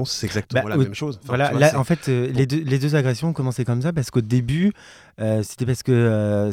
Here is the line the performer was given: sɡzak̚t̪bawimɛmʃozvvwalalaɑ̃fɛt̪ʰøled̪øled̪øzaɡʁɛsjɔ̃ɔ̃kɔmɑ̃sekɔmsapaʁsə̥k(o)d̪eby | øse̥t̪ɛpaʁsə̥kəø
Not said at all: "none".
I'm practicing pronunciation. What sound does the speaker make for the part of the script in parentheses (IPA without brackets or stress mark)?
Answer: o